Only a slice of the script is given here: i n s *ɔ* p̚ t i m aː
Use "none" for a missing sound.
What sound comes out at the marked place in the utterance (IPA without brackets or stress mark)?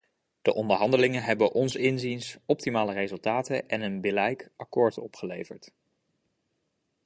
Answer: ɔ